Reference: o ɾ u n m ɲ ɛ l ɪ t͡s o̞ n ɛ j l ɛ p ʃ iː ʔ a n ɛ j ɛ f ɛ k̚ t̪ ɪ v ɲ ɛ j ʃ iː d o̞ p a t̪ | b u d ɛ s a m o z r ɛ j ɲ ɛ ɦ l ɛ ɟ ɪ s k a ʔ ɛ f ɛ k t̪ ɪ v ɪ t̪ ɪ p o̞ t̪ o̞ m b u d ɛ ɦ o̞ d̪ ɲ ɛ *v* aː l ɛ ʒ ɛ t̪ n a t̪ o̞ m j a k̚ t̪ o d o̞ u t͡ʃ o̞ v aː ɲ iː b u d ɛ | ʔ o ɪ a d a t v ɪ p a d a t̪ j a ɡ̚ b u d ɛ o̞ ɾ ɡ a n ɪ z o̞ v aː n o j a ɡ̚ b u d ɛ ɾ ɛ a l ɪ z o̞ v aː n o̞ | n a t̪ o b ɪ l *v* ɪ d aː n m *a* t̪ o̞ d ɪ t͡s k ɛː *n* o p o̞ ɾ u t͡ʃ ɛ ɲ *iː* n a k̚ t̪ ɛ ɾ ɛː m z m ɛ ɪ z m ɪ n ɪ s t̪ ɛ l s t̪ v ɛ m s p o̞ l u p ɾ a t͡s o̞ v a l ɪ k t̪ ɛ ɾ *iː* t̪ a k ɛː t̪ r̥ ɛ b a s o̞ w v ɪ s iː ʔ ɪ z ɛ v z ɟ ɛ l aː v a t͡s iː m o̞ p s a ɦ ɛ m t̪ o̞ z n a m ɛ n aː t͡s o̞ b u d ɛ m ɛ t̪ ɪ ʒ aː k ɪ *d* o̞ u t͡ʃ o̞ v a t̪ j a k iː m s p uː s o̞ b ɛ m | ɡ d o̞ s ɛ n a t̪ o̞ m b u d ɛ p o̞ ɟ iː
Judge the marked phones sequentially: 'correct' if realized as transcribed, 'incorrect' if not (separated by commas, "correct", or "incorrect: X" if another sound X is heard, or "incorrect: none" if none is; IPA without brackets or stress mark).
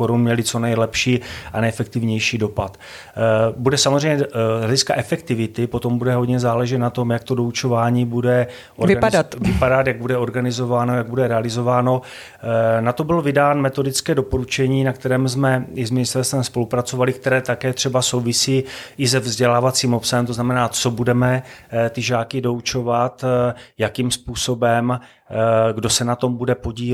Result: incorrect: z, correct, incorrect: ɛ, incorrect: d, correct, incorrect: ɛː, correct